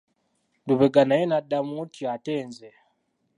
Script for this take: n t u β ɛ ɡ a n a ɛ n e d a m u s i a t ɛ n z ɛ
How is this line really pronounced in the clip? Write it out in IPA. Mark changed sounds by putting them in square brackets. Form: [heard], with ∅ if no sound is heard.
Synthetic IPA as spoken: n [d] u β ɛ ɡ a n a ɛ n [a] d a m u [t] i a t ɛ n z ɛ